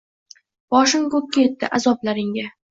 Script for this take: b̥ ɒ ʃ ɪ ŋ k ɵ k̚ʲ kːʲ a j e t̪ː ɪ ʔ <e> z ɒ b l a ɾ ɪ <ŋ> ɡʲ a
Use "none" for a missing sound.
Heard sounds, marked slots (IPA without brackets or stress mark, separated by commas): a, ŋ